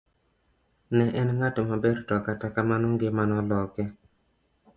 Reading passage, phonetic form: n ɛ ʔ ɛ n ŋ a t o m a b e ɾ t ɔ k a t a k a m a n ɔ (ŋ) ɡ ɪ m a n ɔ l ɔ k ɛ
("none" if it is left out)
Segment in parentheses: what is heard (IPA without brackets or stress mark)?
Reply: ŋ